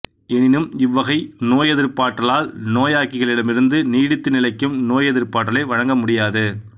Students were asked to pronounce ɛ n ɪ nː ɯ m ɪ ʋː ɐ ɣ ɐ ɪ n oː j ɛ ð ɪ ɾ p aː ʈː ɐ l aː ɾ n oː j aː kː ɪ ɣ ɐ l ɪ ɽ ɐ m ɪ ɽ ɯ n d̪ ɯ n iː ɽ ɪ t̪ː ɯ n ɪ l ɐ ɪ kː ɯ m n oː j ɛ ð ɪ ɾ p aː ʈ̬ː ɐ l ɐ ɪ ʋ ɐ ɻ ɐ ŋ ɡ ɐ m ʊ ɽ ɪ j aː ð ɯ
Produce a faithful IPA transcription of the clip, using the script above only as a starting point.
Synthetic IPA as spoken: ɛ n ɪ n ɯ m ɪ ʋː ɐ ɣ ɐ ɪ n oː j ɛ ð ɪ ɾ p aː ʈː ɐ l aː l n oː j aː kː ɪ ɣ ɐ ɭ ɪ ɽ ɐ m ɪ ɾ ɯ n d̪ ɯ n iː ɽ ɪ t̪ː ɯ n ɪ l ɐ ɪ kː ɯ m n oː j ɛ ð ɪ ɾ p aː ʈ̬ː ɐ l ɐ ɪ ʋ ɐ ɻ ɐ ŋ ɡ ɐ m ʊ ɽ ɪ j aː ð ɯ